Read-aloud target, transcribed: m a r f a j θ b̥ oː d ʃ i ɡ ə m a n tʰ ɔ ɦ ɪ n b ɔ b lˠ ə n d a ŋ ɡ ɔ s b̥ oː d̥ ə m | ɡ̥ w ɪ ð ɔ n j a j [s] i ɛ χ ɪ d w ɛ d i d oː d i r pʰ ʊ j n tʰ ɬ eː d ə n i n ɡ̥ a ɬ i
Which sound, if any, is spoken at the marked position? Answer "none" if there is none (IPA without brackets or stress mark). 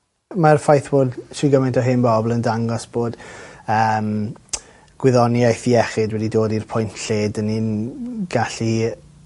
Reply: θ